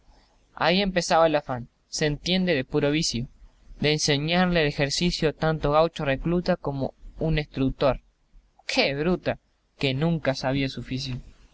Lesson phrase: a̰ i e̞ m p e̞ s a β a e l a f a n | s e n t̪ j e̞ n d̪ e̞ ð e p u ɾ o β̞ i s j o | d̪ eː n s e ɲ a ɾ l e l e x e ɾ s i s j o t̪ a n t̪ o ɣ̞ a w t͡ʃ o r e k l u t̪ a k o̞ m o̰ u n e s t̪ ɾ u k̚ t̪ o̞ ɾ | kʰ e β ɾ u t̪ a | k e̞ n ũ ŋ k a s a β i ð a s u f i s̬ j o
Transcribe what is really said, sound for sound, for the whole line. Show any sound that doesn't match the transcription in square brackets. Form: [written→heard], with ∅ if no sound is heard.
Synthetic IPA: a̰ i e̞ m p e̞ s a β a e l a f a n | s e n t̪ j e̞ n d̪ e̞ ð e p u ɾ o β̞ i s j o | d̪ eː n s e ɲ a ɾ l e l e x e ɾ s i s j o t̪ a n t̪ o ɣ̞ a w t͡ʃ o r e k l u t̪ a k o̞ m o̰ u n e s t̪ ɾ u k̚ t̪ o̞ ɾ | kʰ e β ɾ u t̪ a | k e̞ n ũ ŋ k a s a β i [ð→∅] a s u f i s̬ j o